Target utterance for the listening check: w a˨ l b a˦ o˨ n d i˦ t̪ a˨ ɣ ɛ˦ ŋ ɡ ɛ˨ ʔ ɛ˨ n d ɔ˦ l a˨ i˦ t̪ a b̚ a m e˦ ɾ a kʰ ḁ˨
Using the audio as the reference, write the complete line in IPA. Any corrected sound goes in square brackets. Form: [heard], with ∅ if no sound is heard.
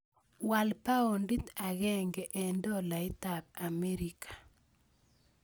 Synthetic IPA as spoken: w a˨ l [p] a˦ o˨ n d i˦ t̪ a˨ ɣ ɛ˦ ŋ ɡ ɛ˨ ʔ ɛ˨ n d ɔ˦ l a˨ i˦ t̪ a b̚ a m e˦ ɾ [i] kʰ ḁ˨